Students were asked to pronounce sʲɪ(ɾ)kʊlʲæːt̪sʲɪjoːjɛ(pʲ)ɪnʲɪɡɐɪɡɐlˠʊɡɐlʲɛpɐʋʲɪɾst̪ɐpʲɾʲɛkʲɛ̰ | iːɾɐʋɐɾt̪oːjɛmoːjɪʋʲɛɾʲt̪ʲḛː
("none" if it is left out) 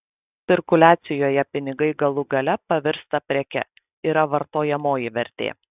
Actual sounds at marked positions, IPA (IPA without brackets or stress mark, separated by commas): ɾ, pʲ